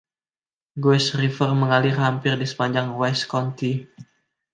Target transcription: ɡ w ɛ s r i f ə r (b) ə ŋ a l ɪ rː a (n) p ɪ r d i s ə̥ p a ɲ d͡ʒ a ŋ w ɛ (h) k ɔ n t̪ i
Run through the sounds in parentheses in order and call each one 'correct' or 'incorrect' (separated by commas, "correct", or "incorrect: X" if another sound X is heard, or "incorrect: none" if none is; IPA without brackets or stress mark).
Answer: incorrect: m, incorrect: m, incorrect: s